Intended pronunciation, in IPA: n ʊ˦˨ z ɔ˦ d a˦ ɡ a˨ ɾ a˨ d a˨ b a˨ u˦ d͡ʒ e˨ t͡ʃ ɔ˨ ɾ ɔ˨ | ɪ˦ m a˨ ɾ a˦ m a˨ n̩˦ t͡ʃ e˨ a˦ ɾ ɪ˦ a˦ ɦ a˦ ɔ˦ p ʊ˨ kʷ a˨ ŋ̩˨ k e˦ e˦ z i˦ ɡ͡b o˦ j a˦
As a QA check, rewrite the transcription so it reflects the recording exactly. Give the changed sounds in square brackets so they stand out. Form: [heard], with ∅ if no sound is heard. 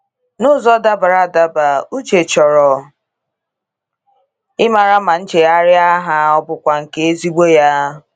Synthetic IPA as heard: n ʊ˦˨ z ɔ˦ d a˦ [b] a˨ ɾ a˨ d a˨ b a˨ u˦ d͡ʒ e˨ t͡ʃ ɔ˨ ɾ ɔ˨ | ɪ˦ m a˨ ɾ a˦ m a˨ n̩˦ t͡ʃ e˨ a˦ ɾ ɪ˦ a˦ ɦ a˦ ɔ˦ [b] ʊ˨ kʷ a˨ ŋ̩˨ k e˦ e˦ z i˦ ɡ͡b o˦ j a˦